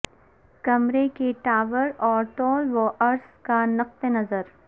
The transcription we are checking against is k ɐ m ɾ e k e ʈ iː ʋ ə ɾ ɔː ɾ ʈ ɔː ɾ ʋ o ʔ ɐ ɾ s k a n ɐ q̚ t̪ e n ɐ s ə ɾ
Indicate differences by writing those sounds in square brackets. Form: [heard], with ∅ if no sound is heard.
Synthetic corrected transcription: k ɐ m ɾ e k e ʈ [aː] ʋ ə ɾ ɔː ɾ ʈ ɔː [l] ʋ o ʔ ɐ ɾ s k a n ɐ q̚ t̪ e n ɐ [z] ə ɾ